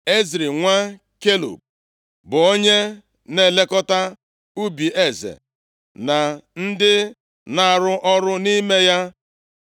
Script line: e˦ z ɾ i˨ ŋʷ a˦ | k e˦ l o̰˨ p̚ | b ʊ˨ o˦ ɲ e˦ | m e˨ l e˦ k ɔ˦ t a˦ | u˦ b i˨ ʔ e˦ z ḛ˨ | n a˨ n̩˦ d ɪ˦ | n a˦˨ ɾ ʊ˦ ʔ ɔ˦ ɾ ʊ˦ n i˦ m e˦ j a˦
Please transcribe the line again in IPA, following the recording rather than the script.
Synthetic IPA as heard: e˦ z ɾ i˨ ŋʷ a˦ | k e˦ l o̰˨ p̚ | b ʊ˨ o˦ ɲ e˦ | n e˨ l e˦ k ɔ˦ t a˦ | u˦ b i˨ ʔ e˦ z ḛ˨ | n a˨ n̩˦ d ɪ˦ | n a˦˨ ɾ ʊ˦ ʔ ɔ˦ ɾ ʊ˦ n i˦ m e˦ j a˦